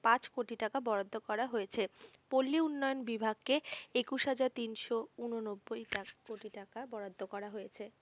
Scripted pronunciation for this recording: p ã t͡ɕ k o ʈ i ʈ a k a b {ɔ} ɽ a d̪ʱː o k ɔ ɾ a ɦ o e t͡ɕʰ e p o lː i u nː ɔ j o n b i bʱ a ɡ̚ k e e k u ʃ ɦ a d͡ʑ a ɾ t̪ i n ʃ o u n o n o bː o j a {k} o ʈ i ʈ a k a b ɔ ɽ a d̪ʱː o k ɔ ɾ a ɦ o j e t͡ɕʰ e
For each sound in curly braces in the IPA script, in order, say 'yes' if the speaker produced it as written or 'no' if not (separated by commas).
yes, yes